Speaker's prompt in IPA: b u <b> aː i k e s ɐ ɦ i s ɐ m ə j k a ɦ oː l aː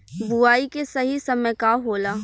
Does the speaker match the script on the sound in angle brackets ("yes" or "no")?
no